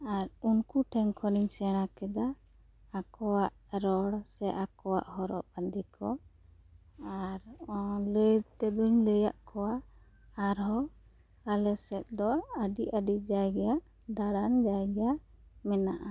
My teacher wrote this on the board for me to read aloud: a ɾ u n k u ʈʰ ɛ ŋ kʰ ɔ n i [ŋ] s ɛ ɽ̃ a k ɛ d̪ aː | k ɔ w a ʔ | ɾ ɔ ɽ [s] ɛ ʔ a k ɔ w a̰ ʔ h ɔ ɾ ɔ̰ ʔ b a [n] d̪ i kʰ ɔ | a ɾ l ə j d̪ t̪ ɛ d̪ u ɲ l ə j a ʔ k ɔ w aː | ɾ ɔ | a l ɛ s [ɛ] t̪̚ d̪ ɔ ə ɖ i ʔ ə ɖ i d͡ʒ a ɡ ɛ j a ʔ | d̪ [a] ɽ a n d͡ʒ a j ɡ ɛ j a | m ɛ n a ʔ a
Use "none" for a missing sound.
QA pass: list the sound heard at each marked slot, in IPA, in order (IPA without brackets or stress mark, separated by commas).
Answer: ɲ, s, n, ɛ, a